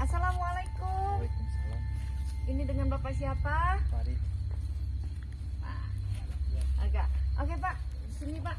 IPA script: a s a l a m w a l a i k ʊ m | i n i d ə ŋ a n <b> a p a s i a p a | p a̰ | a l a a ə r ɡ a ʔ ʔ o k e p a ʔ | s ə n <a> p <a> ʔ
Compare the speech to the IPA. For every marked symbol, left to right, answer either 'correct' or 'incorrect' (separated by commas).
correct, incorrect, correct